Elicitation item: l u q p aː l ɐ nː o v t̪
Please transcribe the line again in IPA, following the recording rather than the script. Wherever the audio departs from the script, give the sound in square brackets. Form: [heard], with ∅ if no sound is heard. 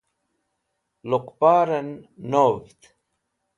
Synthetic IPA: l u q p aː [ɾ] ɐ nː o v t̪